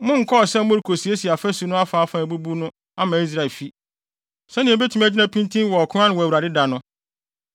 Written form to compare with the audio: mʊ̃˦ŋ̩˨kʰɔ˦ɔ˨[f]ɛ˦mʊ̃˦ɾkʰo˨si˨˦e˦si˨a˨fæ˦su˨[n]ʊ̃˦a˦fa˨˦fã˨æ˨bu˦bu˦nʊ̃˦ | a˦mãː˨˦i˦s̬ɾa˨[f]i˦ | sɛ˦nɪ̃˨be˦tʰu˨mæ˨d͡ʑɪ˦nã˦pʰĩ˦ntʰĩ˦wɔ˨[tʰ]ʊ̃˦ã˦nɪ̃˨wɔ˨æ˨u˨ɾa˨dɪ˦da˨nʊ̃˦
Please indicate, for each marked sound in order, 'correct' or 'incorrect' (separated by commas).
incorrect, correct, correct, incorrect